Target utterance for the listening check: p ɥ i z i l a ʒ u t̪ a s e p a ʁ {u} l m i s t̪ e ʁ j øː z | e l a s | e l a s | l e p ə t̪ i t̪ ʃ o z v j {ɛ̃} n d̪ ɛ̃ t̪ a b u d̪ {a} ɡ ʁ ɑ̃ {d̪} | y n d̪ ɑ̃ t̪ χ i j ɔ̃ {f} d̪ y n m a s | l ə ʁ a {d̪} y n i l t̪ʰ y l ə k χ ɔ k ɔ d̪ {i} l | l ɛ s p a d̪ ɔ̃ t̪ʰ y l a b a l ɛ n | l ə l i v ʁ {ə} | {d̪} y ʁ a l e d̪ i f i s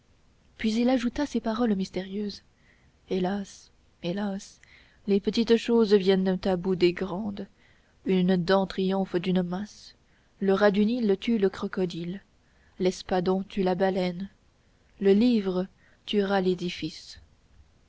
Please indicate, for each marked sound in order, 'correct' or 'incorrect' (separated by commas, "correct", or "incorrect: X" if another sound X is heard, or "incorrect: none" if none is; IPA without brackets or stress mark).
incorrect: ɔ, incorrect: ɛ, incorrect: e, correct, correct, correct, correct, correct, incorrect: t̪